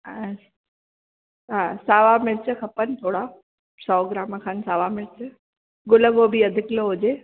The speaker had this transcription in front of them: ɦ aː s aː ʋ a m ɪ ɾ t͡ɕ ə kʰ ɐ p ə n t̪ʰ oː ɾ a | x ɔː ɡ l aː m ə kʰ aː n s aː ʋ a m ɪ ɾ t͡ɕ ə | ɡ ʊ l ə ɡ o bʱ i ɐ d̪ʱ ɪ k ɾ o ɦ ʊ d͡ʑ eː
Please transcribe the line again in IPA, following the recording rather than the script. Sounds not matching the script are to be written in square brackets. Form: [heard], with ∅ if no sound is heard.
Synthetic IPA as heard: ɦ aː s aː ʋ a m ɪ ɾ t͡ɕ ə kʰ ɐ p ə n t̪ʰ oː [ɽ] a | [s] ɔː ɡ [ɾ] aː m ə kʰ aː n s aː ʋ a m ɪ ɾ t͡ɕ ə | ɡ ʊ l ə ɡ o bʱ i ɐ d̪ʱ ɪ k [l] o ɦ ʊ d͡ʑ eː

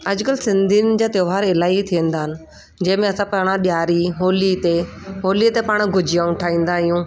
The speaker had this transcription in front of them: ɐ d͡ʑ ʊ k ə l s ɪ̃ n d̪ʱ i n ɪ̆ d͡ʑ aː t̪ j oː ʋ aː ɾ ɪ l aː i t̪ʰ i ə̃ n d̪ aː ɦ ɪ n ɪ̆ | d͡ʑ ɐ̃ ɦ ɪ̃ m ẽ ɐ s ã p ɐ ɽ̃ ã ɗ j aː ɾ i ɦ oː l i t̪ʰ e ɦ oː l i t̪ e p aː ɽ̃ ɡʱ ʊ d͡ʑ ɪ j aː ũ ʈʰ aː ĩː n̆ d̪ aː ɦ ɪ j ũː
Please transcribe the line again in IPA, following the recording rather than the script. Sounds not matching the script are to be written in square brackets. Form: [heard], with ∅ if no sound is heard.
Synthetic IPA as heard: ɐ d͡ʑ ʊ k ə l s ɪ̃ n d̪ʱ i n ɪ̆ d͡ʑ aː t̪ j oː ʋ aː ɾ ɪ l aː i t̪ʰ i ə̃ n d̪ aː ɦ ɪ n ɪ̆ | d͡ʑ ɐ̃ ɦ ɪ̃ m ẽ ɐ s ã p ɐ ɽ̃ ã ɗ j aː ɾ i ɦ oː l i [t̪] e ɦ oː l i t̪ e p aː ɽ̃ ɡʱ ʊ d͡ʑ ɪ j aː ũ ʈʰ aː ĩː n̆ d̪ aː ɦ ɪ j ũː

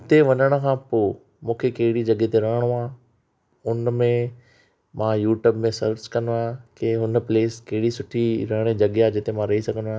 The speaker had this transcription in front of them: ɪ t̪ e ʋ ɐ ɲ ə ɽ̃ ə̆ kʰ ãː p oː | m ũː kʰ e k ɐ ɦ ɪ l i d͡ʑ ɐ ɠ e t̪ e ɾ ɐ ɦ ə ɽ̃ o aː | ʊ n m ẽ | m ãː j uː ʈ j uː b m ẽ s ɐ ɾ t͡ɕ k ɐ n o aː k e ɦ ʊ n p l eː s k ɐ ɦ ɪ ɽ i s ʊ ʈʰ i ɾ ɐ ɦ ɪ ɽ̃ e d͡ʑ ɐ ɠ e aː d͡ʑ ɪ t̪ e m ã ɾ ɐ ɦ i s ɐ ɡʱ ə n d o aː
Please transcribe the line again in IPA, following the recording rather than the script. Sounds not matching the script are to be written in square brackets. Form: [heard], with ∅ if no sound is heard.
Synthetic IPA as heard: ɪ t̪ e ʋ ɐ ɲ ə ɽ̃ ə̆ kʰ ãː p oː | m ũː kʰ e k ɐ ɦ ɪ [ɽ] i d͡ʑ ɐ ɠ e t̪ e ɾ ɐ ɦ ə ɽ̃ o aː | ʊ n m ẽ | m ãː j uː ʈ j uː b m ẽ s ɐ ɾ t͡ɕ k ɐ n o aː k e ɦ ʊ n p l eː s k ɐ ɦ ɪ ɽ i s ʊ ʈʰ i ɾ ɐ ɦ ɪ ɽ̃ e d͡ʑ ɐ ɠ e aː d͡ʑ ɪ t̪ e m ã ɾ ɐ ɦ i s ɐ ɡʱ ə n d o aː

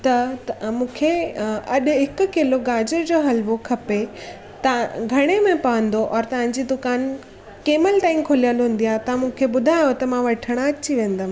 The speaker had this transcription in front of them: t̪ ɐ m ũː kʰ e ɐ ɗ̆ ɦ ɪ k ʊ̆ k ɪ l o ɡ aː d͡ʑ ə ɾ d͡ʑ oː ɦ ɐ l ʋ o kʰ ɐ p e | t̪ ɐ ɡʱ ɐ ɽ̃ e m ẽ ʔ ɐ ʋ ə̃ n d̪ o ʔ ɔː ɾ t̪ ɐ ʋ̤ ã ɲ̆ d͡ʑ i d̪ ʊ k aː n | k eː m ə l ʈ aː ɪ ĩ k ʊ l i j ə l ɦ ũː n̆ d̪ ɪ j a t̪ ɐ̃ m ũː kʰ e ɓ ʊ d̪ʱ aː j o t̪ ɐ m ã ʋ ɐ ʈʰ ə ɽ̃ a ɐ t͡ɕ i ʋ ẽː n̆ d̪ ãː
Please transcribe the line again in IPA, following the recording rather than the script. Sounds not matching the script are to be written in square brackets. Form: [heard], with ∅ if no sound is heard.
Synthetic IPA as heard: t̪ ɐ m ũː kʰ e ɐ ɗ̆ ɦ ɪ k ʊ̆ k ɪ l o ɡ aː d͡ʑ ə ɾ d͡ʑ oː ɦ ɐ l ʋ o kʰ ɐ p e | t̪ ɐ ɡʱ ɐ ɽ̃ e m ẽ [p] ɐ ʋ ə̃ n d̪ o ʔ ɔː ɾ t̪ ɐ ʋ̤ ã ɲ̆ d͡ʑ i d̪ ʊ k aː n | k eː m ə l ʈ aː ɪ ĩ [kʰ] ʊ l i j ə l ɦ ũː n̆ d̪ [i] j a t̪ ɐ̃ m ũː kʰ e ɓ ʊ d̪ʱ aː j o t̪ ɐ m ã ʋ ɐ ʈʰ ə ɽ̃ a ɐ t͡ɕ i ʋ ẽː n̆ d̪ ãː

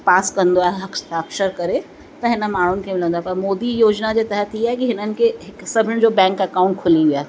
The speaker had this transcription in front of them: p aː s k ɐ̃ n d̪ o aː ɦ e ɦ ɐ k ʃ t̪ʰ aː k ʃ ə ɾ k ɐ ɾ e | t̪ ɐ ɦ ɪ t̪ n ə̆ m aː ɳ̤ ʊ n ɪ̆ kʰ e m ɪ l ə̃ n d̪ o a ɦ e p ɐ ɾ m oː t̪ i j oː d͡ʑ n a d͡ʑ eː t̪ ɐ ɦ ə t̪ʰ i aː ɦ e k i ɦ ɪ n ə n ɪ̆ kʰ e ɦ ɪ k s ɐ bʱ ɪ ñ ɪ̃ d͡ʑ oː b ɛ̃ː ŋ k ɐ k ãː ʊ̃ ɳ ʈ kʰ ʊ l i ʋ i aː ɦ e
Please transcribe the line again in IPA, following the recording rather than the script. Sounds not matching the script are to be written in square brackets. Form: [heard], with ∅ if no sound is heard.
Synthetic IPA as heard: p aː s k ɐ̃ n d̪ o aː ɦ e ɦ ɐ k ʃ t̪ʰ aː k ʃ ə ɾ k ɐ ɾ e | t̪ ɐ ɦ ɪ [∅] n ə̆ m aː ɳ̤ ʊ n ɪ̆ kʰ e m ɪ l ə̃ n d̪ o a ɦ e p ɐ ɾ m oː [d̪] i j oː d͡ʑ n a d͡ʑ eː t̪ ɐ ɦ ə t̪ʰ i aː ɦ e k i ɦ ɪ n ə n ɪ̆ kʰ e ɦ ɪ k s ɐ bʱ ɪ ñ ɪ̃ d͡ʑ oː b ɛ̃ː ŋ k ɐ k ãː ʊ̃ ɳ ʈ kʰ ʊ l i ʋ i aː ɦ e

